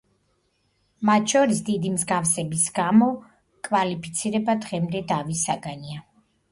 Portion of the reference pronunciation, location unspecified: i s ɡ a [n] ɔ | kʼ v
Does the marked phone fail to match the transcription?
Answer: yes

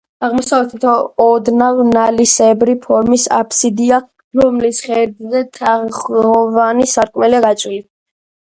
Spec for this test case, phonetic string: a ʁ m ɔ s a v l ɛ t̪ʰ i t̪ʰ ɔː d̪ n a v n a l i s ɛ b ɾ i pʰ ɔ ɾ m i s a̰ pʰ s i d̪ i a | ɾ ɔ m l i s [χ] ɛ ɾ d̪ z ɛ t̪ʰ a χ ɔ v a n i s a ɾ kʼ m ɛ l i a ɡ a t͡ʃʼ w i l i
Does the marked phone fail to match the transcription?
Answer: no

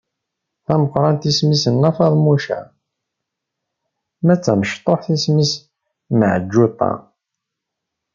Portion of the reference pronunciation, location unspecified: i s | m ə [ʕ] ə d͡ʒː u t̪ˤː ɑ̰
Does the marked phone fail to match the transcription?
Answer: no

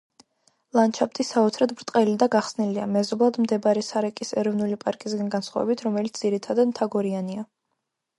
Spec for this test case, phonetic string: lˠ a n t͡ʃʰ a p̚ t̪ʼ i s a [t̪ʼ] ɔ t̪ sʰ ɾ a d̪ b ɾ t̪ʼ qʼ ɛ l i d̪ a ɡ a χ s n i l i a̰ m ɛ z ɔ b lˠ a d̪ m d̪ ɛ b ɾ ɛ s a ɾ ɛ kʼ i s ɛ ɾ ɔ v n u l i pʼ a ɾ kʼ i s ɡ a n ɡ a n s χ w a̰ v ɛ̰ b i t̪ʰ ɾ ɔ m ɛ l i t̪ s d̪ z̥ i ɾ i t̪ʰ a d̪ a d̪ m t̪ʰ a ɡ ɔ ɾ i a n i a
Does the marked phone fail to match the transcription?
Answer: yes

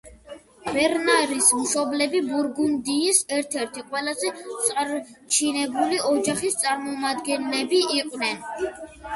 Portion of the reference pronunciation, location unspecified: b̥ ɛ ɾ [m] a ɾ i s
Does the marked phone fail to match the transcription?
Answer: yes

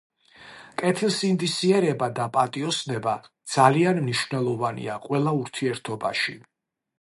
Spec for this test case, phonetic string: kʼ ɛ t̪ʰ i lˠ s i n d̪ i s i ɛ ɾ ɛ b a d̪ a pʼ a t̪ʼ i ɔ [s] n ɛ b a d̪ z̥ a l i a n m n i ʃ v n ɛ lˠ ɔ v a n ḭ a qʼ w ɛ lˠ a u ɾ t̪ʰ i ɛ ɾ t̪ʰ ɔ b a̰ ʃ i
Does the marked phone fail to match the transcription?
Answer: no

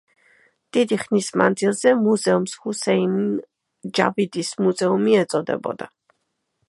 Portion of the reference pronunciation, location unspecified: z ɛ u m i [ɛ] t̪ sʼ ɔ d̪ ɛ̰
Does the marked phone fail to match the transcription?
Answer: no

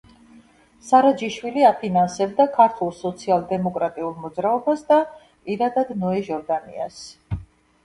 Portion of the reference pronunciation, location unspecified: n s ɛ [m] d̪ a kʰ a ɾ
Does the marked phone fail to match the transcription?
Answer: yes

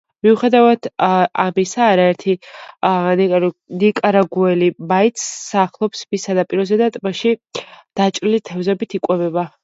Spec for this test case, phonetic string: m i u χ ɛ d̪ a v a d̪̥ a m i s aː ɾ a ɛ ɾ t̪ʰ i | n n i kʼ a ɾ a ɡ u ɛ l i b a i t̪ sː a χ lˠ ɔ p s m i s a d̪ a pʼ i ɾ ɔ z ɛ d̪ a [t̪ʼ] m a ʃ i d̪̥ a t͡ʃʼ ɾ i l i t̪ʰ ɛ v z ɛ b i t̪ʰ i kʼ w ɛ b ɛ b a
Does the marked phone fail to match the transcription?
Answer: no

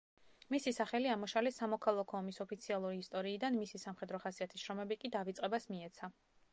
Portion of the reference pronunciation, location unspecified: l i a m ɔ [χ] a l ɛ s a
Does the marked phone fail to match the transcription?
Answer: yes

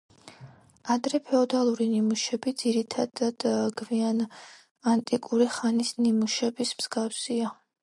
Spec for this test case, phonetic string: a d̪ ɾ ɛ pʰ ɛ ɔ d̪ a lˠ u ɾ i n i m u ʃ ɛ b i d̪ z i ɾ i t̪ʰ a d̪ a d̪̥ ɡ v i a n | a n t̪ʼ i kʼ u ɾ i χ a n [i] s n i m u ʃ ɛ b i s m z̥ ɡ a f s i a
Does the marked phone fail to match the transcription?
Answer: no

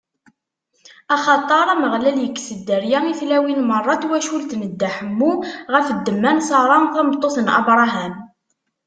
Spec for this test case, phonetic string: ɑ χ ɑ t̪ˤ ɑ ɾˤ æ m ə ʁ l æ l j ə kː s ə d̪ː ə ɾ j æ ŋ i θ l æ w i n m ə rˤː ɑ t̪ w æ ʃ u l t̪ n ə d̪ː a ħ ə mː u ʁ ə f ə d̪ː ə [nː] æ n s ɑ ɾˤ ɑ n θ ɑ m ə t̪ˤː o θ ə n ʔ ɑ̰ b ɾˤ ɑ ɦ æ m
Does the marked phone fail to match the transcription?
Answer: yes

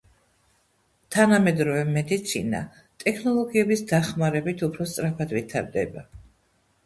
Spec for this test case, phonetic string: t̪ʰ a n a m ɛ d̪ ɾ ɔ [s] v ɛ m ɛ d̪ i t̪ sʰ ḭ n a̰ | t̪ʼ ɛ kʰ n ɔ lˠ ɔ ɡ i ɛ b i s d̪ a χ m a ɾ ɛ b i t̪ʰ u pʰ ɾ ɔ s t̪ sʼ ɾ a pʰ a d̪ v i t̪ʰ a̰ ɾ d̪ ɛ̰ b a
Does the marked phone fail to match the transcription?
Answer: yes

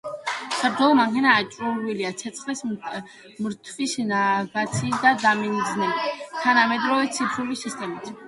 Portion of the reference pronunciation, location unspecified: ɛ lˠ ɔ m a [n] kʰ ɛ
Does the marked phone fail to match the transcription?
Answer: yes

